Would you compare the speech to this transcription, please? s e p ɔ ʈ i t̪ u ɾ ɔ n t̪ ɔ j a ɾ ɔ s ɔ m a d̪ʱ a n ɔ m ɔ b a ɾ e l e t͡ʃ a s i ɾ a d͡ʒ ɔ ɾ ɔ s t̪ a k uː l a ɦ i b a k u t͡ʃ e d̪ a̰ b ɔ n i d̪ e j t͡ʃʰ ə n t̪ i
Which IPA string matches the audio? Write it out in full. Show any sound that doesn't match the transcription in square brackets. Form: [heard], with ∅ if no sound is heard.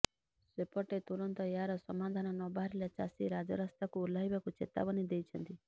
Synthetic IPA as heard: s e p ɔ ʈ [e] t̪ u ɾ ɔ n t̪ ɔ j a ɾ ɔ s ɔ m a d̪ʱ a n ɔ [n] ɔ b a ɾ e l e t͡ʃ a s i ɾ a d͡ʒ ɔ ɾ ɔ s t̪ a k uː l a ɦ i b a k u t͡ʃ e [t̪] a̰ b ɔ n i d̪ e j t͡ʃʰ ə n t̪ i